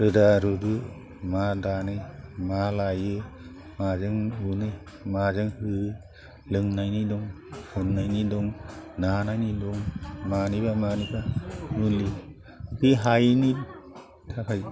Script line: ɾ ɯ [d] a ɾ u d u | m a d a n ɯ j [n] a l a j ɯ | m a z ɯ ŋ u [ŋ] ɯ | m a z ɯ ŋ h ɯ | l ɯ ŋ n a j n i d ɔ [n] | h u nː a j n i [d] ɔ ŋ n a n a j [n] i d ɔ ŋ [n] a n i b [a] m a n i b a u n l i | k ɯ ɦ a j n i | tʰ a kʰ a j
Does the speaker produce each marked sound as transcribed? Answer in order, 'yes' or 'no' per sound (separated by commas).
yes, no, no, no, yes, yes, no, yes